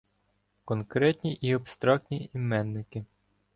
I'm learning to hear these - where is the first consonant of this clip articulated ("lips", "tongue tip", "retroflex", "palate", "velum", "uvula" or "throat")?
velum